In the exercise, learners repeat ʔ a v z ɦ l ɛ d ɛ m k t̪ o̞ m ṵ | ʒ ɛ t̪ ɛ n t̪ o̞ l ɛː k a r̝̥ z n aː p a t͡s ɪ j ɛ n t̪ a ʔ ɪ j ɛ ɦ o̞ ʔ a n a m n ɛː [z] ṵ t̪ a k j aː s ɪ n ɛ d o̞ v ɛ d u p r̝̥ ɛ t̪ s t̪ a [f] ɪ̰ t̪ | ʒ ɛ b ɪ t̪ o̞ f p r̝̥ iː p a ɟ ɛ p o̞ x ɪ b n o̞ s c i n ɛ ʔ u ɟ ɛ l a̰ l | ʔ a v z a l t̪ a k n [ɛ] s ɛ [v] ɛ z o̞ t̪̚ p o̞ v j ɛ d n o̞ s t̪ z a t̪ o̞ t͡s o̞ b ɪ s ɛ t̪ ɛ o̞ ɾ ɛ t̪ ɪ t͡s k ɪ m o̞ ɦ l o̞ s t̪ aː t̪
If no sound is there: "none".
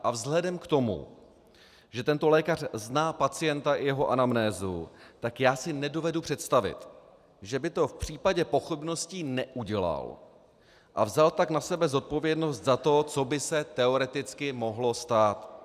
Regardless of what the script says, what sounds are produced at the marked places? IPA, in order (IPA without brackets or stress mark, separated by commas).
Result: z, v, a, b